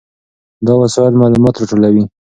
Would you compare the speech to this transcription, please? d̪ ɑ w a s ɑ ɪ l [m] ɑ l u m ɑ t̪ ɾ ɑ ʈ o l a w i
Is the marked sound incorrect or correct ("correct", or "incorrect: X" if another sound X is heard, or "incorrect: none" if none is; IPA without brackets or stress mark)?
correct